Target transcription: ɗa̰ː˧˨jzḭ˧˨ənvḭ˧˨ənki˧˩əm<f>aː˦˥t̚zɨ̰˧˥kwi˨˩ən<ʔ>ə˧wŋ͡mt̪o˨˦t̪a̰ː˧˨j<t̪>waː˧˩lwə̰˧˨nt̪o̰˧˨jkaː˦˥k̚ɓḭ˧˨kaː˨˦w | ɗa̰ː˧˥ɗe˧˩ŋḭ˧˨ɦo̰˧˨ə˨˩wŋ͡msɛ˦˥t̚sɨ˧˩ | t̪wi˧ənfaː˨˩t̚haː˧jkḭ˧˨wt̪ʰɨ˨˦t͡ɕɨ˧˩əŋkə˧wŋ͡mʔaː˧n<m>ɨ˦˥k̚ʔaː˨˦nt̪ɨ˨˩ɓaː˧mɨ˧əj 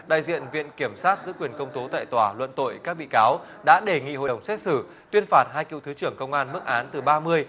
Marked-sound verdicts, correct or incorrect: incorrect: s, incorrect: k, correct, correct

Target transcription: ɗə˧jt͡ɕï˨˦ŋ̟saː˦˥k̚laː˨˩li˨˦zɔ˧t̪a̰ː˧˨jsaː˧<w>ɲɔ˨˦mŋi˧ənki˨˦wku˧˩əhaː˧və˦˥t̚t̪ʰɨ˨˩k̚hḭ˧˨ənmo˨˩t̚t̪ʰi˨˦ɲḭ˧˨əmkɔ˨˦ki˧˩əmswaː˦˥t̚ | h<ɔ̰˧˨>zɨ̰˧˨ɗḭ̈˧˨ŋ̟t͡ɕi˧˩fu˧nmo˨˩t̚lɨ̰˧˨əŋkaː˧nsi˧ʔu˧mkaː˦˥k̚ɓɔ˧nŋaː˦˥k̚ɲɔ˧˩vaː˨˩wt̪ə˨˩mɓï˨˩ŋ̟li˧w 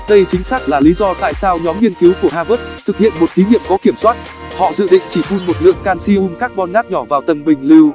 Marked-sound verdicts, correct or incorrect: correct, correct

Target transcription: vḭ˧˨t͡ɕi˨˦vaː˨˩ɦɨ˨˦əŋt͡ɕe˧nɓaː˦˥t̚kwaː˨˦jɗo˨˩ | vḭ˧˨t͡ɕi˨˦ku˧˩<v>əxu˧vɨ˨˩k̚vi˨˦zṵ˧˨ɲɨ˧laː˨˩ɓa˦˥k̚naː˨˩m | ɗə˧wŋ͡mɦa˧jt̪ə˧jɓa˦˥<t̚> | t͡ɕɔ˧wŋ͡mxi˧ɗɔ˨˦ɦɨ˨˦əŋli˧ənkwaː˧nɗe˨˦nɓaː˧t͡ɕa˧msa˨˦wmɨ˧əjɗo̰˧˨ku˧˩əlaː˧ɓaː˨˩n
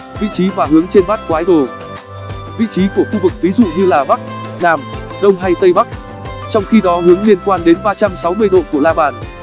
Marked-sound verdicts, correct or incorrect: incorrect: none, incorrect: k̚

